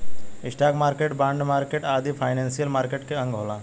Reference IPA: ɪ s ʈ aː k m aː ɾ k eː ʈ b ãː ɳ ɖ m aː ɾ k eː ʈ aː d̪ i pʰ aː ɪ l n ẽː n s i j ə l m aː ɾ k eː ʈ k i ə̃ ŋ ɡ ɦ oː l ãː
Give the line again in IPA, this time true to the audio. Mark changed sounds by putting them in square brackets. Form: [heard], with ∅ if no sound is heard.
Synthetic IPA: ɪ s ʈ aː k m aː ɾ k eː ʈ b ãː ɳ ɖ m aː ɾ k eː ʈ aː d̪ i pʰ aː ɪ [∅] n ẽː n s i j ə l m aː ɾ k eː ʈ k [e] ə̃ ŋ ɡ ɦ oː l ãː